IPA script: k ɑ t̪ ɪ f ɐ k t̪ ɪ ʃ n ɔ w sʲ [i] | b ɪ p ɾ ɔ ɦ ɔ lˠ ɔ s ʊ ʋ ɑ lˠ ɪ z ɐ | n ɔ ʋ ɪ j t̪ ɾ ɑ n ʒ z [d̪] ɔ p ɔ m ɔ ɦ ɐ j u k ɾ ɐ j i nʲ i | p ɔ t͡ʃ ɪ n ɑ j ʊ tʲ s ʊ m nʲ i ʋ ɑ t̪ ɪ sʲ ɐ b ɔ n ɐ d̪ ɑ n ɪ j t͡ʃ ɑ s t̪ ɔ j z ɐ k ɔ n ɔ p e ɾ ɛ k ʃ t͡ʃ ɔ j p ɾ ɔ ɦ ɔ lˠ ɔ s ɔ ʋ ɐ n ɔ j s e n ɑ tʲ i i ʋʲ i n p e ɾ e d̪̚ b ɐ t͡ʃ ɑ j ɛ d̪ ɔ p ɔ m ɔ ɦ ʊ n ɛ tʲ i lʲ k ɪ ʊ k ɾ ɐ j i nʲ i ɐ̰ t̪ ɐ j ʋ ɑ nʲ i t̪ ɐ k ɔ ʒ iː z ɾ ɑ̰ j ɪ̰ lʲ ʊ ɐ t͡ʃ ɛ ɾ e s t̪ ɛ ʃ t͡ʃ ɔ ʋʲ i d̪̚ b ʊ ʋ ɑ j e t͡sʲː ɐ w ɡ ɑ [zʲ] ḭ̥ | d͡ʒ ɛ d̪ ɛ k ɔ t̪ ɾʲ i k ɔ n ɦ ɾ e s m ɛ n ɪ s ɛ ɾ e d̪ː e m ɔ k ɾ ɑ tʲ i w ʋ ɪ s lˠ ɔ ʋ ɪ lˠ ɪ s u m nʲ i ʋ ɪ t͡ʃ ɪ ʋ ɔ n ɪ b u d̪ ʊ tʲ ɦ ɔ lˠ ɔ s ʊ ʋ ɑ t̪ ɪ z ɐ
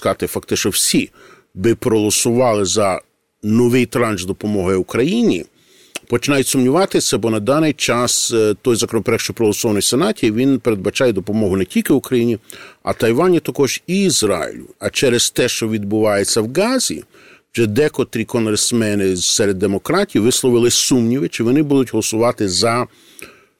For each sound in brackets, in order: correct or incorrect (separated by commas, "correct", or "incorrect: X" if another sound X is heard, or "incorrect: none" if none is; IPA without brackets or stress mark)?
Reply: correct, correct, correct